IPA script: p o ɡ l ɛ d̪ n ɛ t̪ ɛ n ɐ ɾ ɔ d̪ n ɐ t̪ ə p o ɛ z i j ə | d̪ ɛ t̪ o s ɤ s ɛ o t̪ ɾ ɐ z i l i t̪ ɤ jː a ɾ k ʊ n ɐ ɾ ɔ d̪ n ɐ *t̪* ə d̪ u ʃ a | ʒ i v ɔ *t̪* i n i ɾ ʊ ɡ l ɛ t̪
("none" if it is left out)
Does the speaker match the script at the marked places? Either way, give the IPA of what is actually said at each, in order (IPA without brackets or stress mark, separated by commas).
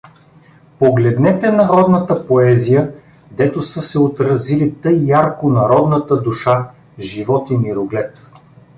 t̪, t̪